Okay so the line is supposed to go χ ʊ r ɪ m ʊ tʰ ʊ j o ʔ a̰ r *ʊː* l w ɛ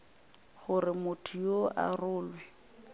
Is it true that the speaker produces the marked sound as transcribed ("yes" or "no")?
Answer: yes